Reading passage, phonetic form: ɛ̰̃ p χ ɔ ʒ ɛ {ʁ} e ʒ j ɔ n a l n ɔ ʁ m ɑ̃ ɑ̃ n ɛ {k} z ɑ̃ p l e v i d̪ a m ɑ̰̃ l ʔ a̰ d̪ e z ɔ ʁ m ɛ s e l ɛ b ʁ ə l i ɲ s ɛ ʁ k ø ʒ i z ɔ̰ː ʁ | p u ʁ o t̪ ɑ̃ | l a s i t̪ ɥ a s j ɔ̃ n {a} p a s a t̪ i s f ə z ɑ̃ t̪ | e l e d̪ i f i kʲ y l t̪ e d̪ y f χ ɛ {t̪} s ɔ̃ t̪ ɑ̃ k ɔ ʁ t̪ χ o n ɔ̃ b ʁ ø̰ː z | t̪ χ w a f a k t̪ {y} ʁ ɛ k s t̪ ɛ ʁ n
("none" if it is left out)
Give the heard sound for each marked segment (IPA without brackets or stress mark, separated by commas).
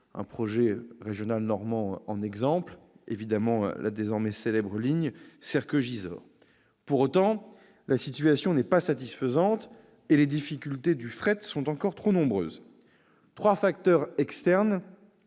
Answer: ʁ, ɡ, ɛ, t̪, œ